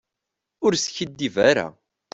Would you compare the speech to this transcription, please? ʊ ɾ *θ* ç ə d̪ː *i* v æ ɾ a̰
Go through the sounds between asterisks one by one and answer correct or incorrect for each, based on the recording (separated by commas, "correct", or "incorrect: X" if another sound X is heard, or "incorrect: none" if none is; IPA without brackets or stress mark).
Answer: incorrect: s, correct